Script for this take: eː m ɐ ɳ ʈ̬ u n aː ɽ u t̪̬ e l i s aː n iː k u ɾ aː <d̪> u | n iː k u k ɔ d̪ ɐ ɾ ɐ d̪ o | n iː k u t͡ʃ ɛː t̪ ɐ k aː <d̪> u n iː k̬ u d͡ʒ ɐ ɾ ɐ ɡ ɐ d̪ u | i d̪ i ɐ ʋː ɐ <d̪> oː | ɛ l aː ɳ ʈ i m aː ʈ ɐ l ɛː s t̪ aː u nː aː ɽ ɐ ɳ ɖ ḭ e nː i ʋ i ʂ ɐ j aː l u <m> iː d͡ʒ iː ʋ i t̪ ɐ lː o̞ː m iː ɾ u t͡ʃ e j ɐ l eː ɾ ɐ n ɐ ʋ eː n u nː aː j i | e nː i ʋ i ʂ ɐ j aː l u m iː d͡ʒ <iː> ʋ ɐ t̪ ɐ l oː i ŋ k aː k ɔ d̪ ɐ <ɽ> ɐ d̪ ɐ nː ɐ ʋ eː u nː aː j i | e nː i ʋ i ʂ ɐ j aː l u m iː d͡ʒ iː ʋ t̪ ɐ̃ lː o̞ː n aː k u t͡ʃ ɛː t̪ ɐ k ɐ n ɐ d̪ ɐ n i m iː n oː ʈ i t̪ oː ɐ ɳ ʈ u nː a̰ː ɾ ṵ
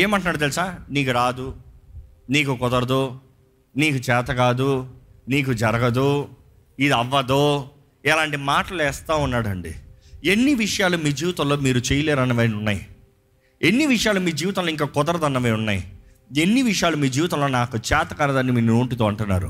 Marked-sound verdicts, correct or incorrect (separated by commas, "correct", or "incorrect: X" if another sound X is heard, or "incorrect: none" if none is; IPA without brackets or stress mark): correct, correct, correct, correct, correct, incorrect: ɾ